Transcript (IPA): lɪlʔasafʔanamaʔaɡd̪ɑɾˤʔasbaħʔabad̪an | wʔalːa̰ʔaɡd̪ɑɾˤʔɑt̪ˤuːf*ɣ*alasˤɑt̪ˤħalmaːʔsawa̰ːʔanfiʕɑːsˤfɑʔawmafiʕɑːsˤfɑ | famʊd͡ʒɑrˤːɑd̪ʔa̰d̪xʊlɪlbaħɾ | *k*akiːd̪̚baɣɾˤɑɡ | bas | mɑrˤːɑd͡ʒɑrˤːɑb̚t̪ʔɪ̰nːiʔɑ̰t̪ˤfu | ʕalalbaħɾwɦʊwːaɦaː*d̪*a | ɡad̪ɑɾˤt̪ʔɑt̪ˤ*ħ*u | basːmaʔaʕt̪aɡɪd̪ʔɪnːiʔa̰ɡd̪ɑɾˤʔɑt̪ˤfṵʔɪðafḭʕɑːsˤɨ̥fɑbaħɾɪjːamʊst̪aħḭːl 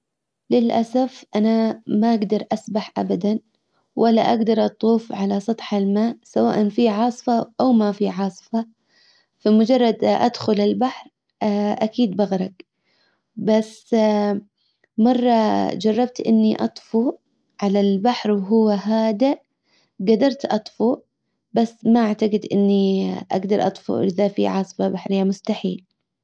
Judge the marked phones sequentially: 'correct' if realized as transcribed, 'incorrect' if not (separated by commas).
incorrect, incorrect, correct, incorrect